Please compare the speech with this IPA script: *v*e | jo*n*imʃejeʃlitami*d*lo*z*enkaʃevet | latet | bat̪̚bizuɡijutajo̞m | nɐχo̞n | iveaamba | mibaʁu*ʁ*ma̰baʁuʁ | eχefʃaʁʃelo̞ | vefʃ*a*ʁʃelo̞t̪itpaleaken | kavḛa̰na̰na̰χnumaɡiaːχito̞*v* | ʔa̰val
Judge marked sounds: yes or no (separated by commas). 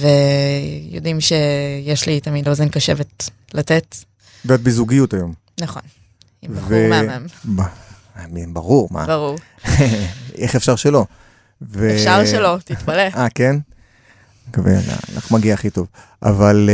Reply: yes, no, yes, yes, yes, yes, yes